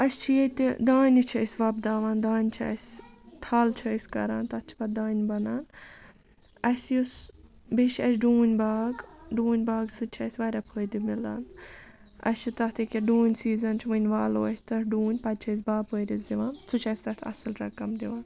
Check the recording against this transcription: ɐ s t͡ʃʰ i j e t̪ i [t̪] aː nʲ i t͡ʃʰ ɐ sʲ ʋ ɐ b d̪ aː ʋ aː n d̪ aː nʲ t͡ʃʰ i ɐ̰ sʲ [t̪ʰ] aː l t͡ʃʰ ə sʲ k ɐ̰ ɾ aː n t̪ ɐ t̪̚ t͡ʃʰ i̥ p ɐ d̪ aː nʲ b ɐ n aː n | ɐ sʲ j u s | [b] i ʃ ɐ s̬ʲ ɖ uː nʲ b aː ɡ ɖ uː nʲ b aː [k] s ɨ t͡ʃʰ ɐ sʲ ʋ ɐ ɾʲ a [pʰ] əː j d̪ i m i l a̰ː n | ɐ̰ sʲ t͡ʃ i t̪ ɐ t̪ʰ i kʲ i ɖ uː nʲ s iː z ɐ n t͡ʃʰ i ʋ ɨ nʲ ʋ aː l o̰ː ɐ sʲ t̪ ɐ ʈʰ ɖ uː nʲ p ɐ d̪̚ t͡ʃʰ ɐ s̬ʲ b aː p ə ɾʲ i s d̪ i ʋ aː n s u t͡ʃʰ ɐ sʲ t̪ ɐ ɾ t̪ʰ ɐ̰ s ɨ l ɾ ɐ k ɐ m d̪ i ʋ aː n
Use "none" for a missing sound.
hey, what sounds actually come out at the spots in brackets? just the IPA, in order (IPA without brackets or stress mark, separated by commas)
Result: d̪, t̪ʰ, b, ɡ, pʰ